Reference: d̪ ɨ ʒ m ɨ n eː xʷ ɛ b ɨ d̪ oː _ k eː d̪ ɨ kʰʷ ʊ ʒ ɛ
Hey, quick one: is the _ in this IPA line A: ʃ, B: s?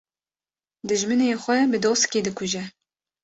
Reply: B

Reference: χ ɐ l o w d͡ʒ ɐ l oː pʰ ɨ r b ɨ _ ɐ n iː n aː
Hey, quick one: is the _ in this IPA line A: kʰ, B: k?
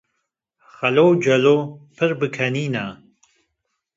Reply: A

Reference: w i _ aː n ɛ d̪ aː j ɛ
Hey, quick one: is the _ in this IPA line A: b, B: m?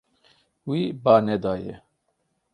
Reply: A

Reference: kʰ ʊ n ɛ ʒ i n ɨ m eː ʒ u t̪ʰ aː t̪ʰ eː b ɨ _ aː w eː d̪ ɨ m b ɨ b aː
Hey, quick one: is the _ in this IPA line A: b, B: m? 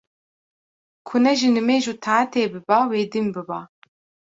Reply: A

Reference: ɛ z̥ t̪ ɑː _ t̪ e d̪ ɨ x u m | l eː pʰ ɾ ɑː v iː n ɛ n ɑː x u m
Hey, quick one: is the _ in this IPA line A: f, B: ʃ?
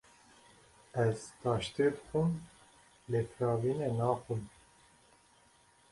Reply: B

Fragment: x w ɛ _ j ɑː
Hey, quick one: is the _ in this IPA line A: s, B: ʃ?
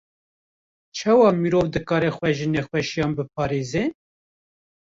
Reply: B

